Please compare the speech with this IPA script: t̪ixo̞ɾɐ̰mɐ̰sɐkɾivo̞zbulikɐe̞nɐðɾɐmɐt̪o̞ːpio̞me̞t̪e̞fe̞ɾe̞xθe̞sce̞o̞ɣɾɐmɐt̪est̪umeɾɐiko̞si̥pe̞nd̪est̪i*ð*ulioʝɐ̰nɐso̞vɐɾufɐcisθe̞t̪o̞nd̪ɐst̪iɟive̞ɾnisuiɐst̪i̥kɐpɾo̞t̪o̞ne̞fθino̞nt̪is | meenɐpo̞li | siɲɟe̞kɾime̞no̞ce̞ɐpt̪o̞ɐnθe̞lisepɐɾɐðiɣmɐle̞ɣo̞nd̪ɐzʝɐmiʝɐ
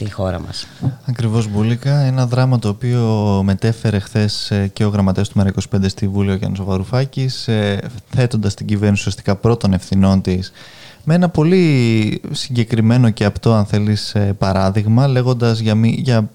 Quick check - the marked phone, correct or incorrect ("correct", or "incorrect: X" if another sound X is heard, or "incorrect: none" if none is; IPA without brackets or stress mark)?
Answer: incorrect: v